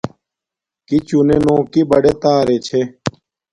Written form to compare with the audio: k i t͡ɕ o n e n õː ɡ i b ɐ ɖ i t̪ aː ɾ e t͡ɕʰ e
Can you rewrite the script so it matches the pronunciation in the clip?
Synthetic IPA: k i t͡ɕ u n e n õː k i b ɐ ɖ e t̪ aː ɾ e t͡ɕʰ e